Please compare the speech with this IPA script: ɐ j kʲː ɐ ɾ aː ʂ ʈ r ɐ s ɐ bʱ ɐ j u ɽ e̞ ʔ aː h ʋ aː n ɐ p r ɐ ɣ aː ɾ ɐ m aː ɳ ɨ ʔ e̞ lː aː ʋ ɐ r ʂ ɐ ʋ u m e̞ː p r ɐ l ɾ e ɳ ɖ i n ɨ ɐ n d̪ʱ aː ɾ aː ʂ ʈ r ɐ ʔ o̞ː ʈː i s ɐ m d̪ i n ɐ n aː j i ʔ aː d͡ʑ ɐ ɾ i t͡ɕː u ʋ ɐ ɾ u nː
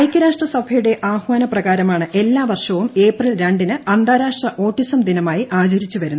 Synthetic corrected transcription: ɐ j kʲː ɐ ɾ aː ʂ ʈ r ɐ s ɐ bʱ ɐ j u ɽ e̞ ʔ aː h ʋ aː n ɐ p r ɐ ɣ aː ɾ ɐ m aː ɳ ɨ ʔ e̞ lː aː ʋ ɐ r ʂ ɐ ʋ u m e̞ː p r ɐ l ɾ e ɳ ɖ i n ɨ ɐ n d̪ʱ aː ɾ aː ʂ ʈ r ɐ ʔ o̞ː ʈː i s ɐ m d̪ i n ɐ m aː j i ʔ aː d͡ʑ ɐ ɾ i t͡ɕː u ʋ ɐ ɾ u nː

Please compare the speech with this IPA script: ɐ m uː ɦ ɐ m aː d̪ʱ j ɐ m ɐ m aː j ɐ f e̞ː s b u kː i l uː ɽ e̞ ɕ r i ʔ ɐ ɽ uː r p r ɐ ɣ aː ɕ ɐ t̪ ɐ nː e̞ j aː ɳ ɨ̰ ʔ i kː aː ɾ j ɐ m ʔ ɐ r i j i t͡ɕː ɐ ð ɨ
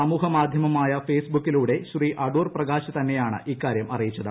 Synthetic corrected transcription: ɐ m uː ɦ ɐ m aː d̪ʱ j ɐ m ɐ m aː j ɐ f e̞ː s b u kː i l uː ɽ e̞ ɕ r i ʔ ɐ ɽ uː r p r ɐ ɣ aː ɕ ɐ t̪ ɐ nː e̞ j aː ɳ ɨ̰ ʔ i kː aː ɾ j ɐ m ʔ ɐ r i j i t͡ɕː ɐ ð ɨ

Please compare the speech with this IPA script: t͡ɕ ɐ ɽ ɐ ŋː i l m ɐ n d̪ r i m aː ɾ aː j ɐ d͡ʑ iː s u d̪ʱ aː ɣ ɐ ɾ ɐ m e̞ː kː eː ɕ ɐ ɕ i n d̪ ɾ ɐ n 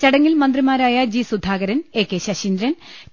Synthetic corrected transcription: t͡ɕ ɐ ɽ ɐ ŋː i l m ɐ n d̪ r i m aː ɾ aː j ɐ d͡ʑ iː s u d̪ʱ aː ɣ ɐ ɾ ɐ n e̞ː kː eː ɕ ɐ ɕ i n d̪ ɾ ɐ n

